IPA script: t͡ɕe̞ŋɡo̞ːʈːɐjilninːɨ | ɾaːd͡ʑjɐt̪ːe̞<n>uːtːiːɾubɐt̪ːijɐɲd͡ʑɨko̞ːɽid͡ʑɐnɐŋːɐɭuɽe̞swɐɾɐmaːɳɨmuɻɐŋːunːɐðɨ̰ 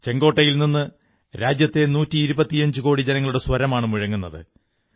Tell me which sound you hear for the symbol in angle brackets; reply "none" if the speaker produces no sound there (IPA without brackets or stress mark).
n